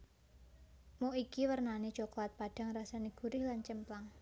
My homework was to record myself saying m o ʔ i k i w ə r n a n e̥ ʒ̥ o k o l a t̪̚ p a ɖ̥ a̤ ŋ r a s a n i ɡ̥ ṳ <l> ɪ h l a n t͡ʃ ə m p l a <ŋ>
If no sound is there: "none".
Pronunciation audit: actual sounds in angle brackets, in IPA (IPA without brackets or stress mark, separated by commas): ɾ, ŋ